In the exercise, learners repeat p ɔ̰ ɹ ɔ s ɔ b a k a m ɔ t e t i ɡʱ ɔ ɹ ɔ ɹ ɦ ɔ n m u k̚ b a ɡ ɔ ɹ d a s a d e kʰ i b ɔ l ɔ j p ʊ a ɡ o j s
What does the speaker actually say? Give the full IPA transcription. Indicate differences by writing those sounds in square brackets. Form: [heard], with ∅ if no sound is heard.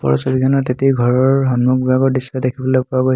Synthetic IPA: p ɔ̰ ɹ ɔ s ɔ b [i] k a [n] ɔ t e t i ɡʱ ɔ ɹ ɔ ɹ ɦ ɔ n m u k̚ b a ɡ ɔ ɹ d [i] s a d e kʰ i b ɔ l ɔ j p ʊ a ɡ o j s